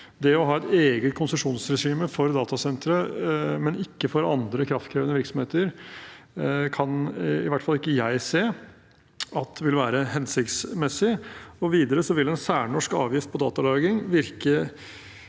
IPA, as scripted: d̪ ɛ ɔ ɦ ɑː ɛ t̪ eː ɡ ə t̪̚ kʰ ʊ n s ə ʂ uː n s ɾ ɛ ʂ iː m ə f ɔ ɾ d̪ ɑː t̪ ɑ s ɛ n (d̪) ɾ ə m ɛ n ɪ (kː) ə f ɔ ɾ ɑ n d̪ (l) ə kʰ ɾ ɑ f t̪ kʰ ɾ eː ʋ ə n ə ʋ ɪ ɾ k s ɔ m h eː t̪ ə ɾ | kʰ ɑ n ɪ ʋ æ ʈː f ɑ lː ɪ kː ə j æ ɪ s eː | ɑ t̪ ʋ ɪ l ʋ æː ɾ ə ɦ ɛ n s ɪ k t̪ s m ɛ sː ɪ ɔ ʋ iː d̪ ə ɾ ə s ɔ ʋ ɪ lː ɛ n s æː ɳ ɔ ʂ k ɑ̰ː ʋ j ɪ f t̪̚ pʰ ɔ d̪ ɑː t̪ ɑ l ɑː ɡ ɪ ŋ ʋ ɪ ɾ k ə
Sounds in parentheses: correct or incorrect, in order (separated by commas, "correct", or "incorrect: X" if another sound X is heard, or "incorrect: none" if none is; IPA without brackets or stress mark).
incorrect: t̪, correct, incorrect: ɾ